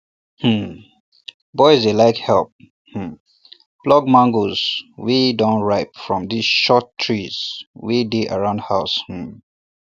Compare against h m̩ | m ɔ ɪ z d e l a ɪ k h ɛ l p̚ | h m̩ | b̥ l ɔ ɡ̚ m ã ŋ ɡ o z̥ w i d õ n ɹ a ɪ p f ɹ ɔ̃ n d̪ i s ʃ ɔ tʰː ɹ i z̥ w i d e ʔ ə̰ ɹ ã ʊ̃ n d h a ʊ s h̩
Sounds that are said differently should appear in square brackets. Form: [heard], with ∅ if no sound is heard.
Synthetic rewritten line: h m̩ | [b] ɔ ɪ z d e l a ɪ k h ɛ l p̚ | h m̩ | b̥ l ɔ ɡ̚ m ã ŋ ɡ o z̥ w i d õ n ɹ a ɪ p f ɹ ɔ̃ [m] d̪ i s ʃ ɔ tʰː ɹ i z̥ w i d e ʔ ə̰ ɹ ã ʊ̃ n d h a ʊ s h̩